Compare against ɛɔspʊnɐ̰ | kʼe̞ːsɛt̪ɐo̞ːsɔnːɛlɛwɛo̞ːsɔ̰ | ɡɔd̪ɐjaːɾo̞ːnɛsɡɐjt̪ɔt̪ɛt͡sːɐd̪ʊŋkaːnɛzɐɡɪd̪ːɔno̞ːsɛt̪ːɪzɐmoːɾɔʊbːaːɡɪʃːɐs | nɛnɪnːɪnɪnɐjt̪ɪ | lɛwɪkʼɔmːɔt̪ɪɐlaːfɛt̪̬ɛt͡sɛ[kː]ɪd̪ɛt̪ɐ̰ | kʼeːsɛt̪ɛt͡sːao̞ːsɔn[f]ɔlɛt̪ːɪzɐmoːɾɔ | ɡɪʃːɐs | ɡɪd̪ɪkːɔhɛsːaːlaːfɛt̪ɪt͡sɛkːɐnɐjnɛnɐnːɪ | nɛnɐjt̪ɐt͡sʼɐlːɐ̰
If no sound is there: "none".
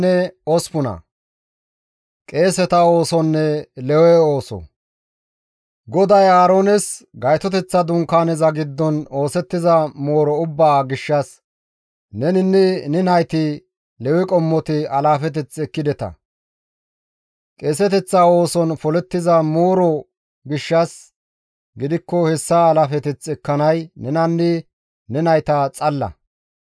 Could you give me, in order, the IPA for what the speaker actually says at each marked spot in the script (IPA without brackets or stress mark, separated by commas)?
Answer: kː, f